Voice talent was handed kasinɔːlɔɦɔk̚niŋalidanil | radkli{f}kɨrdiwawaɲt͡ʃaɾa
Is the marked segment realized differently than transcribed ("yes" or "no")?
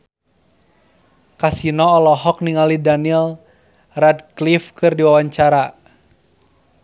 no